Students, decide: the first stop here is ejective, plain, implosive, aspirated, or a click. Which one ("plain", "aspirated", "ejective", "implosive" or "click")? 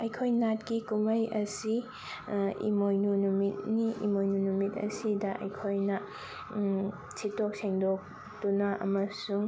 aspirated